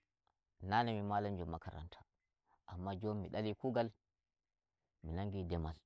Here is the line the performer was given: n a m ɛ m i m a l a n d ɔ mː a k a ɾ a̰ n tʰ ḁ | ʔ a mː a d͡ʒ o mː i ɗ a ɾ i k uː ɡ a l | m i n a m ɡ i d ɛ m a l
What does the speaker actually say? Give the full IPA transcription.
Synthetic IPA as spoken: n a n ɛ m i m a l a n d͡ʒ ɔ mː a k a ɾ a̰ n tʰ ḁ | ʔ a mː a d͡ʒ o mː i ɗ a l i k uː ɡ a l | m i n a ŋ ɡ i d ɛ m a l